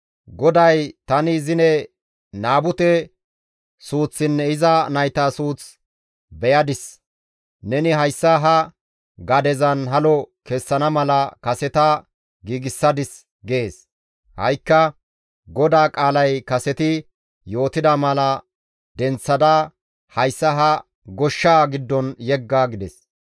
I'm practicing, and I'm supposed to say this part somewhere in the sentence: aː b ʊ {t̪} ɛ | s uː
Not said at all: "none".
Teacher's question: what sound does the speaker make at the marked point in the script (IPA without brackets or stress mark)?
t̪